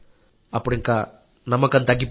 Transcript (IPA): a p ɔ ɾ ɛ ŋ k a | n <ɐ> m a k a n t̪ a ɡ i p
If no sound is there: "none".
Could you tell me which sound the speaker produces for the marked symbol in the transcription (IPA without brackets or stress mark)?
a